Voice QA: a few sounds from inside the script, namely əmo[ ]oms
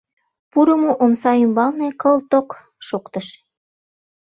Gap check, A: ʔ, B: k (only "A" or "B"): A